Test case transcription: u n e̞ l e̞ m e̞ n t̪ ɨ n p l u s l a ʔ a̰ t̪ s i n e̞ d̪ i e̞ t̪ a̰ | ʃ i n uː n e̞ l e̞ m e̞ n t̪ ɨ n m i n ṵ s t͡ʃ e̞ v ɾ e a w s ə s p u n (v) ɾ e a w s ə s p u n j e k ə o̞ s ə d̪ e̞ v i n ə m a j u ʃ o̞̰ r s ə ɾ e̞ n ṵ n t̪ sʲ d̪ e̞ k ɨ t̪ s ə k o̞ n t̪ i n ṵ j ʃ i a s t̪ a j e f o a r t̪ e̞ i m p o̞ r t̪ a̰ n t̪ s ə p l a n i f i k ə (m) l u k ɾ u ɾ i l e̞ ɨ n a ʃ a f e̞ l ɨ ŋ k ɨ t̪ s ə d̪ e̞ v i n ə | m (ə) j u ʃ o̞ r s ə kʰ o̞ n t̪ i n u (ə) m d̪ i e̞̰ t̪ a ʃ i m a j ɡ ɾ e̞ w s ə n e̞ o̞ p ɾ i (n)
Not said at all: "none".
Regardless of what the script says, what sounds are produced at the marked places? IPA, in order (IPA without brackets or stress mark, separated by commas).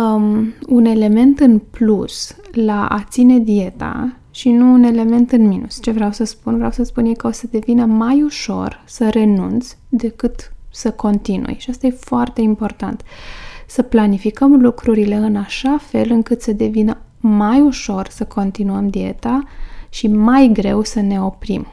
v, m, a, ə, m